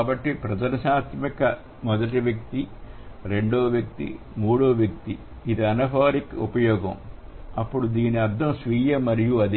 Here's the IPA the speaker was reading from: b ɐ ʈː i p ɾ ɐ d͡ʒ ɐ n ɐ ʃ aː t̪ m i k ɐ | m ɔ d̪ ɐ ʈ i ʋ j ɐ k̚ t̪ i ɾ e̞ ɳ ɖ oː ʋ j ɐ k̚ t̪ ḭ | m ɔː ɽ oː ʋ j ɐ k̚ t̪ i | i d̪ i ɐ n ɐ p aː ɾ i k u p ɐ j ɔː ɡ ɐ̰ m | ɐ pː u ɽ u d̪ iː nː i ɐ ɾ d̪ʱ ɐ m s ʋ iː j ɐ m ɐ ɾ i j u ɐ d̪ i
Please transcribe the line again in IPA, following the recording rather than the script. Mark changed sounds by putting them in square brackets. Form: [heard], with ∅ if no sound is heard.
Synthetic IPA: b ɐ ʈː i p ɾ ɐ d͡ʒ ɐ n ɐ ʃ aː t̪ m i k ɐ | m ɔ d̪ ɐ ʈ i ʋ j ɐ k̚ t̪ i ɾ e̞ ɳ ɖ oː ʋ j ɐ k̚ t̪ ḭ | m [uː] ɽ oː ʋ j ɐ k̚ t̪ i | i d̪ i ɐ n ɐ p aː ɾ i k u p ɐ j ɔː ɡ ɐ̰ m | ɐ pː u ɽ u d̪ iː [n] i ɐ ɾ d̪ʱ ɐ m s ʋ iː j ɐ m ɐ ɾ i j u ɐ d̪ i